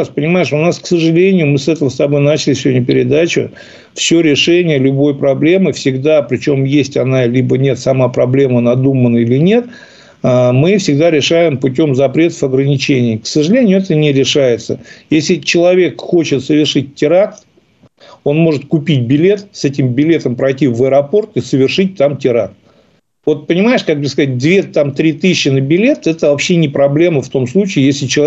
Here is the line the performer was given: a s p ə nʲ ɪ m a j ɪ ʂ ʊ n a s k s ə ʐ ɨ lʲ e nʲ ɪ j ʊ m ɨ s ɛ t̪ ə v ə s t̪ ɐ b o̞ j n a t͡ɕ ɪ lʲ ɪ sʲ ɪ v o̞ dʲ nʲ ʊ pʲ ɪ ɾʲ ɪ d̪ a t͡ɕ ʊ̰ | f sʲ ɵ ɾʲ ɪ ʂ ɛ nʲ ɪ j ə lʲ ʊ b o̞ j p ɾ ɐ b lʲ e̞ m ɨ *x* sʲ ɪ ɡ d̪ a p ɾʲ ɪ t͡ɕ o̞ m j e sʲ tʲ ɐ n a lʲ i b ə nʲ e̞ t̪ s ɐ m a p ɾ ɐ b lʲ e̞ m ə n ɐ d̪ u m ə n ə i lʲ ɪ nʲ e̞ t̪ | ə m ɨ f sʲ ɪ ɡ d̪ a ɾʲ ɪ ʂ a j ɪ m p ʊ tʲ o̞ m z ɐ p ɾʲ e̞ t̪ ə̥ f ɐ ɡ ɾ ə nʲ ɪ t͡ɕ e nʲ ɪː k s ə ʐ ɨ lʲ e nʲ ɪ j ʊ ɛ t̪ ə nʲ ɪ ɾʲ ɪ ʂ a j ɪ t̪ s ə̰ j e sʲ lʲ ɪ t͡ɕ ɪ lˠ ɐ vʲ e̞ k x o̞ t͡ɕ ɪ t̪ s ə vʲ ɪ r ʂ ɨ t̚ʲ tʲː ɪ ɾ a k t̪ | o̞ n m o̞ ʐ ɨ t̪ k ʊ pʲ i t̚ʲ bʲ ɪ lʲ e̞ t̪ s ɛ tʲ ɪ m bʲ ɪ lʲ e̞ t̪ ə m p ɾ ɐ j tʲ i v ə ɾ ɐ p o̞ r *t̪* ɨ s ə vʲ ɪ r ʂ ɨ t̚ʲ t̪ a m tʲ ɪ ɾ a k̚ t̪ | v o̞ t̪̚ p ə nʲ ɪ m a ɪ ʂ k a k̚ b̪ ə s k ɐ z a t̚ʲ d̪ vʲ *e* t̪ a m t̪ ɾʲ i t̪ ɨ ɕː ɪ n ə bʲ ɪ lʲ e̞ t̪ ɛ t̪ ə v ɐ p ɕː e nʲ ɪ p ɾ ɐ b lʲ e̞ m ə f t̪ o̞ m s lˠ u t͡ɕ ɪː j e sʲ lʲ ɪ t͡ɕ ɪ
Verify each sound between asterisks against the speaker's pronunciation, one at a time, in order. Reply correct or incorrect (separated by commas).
incorrect, correct, correct